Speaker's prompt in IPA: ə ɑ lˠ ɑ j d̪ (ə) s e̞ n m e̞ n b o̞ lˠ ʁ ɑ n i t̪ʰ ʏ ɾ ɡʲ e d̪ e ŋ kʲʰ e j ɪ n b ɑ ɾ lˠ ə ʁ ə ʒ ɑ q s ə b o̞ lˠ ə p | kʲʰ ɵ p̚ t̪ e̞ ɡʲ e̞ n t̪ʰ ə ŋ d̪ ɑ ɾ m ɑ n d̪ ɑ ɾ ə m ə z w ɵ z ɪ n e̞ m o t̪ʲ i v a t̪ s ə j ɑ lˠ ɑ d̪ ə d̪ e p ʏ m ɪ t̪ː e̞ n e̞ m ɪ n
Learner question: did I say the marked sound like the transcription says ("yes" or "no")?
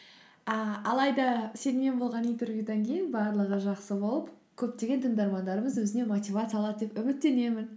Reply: no